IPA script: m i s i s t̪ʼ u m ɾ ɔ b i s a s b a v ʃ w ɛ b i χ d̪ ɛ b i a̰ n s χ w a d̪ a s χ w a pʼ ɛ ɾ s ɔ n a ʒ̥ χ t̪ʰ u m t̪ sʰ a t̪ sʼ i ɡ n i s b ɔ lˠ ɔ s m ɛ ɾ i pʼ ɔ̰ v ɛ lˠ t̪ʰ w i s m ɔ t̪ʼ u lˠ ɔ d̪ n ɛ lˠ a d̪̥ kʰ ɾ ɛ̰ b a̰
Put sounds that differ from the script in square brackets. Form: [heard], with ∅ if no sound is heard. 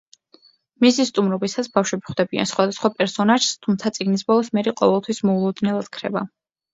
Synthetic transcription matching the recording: m i s i s t̪ʼ u m ɾ ɔ b i s a s b a [f] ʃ w ɛ b i χ d̪ ɛ b i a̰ n s χ w a d̪ a s χ w a pʼ ɛ ɾ s ɔ n a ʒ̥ [s] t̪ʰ u m t̪ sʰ a t̪ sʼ i ɡ n i s b ɔ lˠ ɔ s m ɛ ɾ i [qʼ] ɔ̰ v ɛ lˠ t̪ʰ w i s m ɔ [∅] u lˠ ɔ d̪ n ɛ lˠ a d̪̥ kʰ ɾ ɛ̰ b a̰